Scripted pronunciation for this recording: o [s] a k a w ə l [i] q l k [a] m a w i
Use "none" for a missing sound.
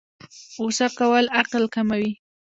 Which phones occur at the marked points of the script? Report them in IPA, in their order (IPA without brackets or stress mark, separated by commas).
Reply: s, a, a